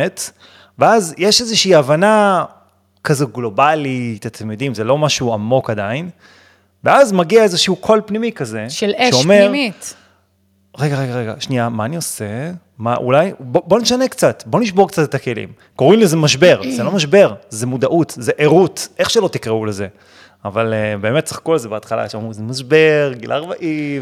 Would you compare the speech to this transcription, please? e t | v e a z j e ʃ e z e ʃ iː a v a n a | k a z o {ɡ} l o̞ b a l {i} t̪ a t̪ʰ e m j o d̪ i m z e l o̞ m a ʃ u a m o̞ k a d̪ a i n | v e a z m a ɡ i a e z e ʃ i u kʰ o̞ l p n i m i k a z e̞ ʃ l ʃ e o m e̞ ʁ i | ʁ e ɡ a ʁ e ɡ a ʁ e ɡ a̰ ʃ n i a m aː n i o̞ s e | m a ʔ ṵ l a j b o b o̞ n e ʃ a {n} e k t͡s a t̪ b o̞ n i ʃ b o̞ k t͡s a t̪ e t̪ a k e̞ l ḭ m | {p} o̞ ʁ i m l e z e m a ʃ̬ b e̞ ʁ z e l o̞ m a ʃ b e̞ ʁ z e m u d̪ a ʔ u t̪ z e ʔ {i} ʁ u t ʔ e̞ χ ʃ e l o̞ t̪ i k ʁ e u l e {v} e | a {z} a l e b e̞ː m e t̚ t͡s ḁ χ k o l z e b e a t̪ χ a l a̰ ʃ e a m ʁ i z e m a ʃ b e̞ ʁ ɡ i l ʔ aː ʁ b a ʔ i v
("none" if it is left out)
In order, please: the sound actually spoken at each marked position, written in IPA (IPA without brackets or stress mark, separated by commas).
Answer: ɡ, i, n, k, e, z, v